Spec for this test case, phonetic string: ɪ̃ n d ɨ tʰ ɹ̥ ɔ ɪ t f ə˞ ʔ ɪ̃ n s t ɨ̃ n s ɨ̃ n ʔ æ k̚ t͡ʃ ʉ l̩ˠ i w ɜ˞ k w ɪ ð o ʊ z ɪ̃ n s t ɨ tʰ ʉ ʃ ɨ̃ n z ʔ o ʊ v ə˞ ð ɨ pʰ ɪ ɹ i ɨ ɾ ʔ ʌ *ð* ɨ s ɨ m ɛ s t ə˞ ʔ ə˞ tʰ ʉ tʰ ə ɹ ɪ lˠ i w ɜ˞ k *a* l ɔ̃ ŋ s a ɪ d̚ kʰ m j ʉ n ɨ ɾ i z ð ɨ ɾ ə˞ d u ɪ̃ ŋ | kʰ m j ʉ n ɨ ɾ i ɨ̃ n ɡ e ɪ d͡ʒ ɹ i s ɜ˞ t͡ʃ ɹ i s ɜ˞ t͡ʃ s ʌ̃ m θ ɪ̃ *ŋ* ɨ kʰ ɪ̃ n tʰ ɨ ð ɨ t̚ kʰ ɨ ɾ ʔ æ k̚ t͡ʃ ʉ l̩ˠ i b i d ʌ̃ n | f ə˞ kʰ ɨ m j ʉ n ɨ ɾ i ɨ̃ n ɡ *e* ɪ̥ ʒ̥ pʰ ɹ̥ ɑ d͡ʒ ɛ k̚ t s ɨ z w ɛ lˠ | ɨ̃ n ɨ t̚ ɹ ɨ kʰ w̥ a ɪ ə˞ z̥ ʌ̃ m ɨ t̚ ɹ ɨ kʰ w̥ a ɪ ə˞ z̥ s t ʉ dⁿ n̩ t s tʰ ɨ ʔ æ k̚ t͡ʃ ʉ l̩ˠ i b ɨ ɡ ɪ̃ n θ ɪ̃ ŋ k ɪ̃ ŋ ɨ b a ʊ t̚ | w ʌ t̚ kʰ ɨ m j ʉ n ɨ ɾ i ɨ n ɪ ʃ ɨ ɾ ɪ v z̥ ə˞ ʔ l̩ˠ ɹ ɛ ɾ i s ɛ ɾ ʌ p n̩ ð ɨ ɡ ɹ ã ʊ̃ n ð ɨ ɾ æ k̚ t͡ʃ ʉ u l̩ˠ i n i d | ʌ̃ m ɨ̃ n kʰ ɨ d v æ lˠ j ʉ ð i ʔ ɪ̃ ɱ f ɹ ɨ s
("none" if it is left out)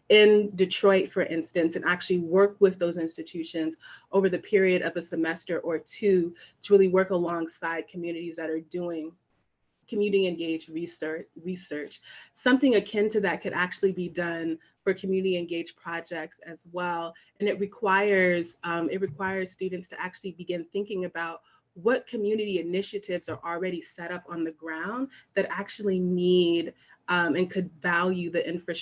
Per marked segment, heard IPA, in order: v, ə, ŋ, e

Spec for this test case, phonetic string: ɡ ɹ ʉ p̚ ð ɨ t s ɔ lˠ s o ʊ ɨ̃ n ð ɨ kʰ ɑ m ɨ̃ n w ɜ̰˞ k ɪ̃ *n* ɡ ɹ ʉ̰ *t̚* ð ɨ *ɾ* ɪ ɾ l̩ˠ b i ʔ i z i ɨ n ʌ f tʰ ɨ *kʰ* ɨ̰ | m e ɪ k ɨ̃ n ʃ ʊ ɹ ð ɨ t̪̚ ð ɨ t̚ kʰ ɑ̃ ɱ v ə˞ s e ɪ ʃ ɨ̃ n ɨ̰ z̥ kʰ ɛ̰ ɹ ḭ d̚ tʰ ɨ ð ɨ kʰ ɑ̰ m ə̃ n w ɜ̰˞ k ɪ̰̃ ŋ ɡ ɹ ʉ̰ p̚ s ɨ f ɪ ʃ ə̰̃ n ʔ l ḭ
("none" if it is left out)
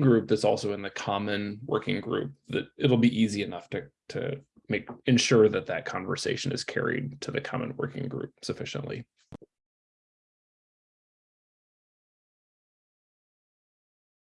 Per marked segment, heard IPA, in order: ŋ, p̚, ɾ, tʰ

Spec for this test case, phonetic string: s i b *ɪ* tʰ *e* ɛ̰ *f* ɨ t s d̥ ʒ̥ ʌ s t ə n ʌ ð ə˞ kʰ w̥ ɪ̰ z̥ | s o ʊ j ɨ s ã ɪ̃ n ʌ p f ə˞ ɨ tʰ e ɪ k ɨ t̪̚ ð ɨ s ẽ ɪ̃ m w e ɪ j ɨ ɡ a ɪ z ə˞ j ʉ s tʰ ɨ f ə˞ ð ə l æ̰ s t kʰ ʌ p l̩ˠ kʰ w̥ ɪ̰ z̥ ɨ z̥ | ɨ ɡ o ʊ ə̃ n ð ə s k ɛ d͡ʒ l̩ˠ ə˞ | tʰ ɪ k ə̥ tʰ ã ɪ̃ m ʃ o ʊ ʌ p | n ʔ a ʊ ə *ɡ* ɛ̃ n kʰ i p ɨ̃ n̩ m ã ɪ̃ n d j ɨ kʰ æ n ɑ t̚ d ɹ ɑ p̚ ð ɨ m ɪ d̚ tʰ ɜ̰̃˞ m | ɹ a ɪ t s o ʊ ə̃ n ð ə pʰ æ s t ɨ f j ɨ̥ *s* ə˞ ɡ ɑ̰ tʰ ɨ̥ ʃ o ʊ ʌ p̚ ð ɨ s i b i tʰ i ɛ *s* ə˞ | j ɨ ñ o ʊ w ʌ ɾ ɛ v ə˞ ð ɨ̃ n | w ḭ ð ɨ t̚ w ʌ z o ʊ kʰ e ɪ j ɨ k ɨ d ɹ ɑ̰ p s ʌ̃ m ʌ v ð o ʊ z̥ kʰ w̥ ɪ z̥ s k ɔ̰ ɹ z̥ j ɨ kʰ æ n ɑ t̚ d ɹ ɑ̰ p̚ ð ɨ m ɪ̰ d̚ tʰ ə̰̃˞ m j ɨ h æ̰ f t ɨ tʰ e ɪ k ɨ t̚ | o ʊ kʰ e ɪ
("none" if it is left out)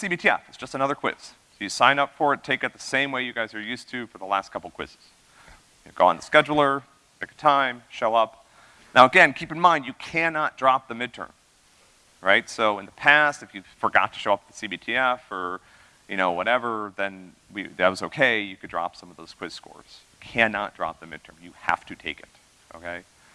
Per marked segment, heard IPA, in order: i, i, f, ɡ, f, f

